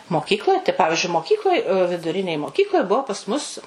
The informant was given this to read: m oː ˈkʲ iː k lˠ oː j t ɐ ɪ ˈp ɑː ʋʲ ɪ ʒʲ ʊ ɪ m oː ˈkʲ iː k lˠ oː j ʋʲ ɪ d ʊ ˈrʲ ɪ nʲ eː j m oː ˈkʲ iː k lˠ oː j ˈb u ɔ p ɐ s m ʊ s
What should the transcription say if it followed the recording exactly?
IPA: m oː ˈkʲ iː k lˠ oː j t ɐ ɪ ˈp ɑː ʋʲ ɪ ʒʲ ʊ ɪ m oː ˈkʲ iː k lˠ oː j ʋʲ ɪ d ʊ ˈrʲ ɪ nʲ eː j m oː ˈkʲ iː k lˠ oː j ˈb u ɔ p ɐ s m ʊ s